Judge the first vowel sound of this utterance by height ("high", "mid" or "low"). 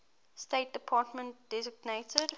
mid